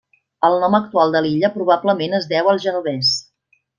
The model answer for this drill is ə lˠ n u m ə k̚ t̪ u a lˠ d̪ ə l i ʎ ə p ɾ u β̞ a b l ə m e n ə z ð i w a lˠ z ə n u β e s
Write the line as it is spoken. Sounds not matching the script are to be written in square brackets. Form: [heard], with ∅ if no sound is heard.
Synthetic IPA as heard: ə lˠ n [ɔ] m ə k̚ t̪ u a lˠ d̪ ə l i ʎ ə p ɾ u β̞ a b l ə m e n ə z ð [ɛ] w [ə] lˠ [ʒ] ə n u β [ɛ] s